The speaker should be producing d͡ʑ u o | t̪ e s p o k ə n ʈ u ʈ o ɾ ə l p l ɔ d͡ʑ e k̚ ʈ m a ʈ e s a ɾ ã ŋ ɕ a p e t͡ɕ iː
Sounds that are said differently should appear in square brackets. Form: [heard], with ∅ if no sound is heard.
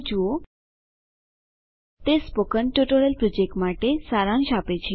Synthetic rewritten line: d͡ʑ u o | t̪ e s p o k ə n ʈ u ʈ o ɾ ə l p [ɾ] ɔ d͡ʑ e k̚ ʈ m a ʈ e s a ɾ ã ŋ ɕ a p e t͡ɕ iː